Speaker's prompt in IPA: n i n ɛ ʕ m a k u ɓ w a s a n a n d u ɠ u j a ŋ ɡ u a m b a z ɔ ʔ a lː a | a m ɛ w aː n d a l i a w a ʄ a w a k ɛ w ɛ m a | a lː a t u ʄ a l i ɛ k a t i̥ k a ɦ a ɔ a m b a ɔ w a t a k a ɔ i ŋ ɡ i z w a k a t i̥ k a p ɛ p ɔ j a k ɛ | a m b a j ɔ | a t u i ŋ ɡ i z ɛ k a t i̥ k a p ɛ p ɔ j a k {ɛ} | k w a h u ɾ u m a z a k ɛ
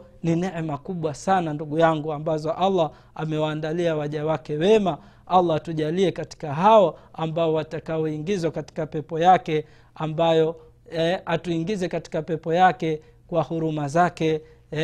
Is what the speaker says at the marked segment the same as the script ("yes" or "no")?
yes